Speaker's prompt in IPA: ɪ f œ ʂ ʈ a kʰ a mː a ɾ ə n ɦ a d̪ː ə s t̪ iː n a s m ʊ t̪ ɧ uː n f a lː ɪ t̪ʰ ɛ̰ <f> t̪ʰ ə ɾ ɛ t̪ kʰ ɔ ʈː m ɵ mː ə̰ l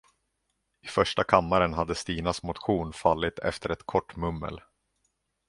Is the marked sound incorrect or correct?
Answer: correct